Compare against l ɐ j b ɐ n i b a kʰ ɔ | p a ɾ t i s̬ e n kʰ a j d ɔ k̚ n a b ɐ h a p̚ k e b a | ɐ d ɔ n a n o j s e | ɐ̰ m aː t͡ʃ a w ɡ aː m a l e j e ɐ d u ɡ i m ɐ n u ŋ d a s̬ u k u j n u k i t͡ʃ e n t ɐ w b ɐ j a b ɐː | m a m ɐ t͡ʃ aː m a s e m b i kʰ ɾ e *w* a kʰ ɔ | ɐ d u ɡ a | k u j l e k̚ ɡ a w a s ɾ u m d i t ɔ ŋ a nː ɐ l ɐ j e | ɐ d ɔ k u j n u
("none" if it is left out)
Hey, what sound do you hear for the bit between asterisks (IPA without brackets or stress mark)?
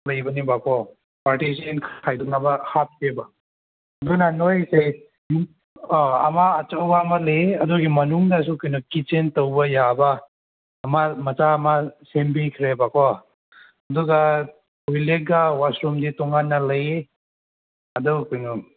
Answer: b